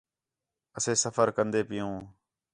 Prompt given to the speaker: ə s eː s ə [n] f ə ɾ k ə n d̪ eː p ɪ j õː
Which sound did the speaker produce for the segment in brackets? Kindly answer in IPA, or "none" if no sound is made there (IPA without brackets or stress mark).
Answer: none